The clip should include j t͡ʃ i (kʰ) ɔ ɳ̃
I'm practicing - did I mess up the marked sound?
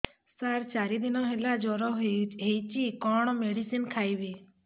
yes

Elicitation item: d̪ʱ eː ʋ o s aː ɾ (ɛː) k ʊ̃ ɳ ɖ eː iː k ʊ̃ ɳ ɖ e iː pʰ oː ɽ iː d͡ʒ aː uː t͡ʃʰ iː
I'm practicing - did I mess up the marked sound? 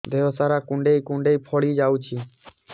yes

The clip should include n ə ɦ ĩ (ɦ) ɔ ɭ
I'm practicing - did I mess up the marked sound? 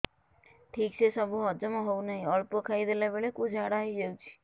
yes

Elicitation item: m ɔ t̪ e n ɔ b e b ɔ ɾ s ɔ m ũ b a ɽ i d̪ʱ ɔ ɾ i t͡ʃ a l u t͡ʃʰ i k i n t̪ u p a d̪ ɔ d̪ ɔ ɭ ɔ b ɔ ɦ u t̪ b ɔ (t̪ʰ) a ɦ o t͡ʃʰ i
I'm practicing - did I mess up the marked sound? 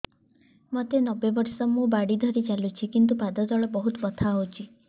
no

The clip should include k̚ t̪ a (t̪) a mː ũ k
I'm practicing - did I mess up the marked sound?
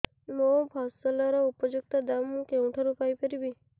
yes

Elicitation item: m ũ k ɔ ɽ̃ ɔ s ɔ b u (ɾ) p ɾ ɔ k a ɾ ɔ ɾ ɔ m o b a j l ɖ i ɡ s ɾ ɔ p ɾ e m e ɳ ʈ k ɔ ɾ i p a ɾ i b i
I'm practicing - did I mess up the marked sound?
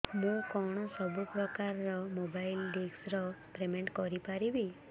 yes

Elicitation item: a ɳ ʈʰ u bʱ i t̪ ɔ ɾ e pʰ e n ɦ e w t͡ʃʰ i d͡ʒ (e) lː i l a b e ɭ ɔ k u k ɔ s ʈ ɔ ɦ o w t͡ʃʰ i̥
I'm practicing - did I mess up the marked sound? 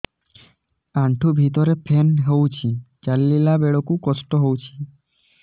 yes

